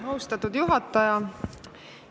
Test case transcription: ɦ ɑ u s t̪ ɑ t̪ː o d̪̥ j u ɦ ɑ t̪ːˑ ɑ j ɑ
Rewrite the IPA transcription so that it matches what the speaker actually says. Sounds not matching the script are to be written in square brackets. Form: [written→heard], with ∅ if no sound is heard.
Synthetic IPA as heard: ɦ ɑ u s t̪ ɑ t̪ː [o→u] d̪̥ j u ɦ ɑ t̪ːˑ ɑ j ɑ